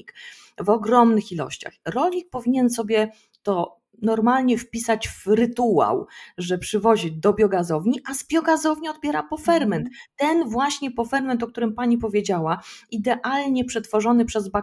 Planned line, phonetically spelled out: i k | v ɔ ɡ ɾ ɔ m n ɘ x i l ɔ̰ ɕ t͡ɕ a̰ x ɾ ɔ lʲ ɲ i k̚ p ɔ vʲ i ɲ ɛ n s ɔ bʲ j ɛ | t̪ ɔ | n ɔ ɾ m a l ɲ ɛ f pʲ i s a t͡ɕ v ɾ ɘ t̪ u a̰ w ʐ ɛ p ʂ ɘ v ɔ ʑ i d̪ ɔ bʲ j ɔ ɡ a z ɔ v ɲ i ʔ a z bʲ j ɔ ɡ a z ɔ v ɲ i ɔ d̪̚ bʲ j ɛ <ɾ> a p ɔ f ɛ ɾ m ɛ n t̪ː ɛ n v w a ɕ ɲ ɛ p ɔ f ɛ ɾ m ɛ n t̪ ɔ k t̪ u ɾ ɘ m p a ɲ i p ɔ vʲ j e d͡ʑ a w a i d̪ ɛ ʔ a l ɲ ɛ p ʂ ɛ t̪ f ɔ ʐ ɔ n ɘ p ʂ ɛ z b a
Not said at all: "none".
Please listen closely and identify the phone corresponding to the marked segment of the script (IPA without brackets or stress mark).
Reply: ɾ